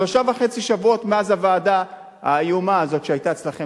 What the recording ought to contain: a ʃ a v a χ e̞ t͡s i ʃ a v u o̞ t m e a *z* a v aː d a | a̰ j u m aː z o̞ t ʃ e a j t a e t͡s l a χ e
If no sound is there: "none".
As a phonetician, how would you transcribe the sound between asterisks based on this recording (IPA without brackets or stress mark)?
z